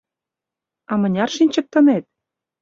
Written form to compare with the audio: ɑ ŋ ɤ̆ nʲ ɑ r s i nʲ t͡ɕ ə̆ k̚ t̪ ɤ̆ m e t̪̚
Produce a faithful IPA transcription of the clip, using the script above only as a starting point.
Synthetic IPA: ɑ m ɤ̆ nʲ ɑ r ʃ i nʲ t͡ɕ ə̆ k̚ t̪ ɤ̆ n e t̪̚